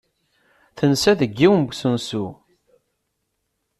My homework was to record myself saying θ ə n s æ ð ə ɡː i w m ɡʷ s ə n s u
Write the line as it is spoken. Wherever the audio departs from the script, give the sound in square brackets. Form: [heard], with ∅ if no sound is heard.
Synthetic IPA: θ ə n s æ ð ə ɡː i w m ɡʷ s ə n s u